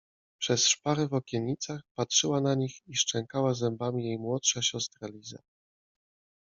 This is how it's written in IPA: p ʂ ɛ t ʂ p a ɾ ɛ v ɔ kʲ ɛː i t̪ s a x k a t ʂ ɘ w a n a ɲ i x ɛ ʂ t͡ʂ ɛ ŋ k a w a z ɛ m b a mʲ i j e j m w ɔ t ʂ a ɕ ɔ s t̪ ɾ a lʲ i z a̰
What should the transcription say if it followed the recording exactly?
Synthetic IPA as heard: p ʂ ɛ s ʂ p a ɾ ɛ v ɔ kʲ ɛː i t̪ s a x p a t ʂ ɘ w a n a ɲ i x i ʂ t͡ʂ ɛ ŋ k a w a z ɛ m b a mʲ i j e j m w ɔ t ʂ a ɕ ɔ s t̪ ɾ a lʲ i z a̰